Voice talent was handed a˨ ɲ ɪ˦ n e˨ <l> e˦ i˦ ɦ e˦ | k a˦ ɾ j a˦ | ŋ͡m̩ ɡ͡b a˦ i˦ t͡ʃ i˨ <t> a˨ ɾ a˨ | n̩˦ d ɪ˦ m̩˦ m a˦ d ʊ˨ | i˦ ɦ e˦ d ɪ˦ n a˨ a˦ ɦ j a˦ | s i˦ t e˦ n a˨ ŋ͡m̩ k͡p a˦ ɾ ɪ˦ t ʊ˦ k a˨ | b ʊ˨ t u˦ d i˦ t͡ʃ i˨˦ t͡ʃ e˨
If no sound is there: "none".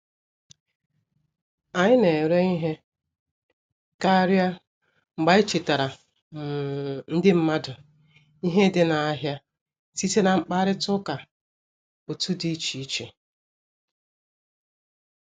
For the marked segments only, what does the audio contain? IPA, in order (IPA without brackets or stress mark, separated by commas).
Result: ɾ, t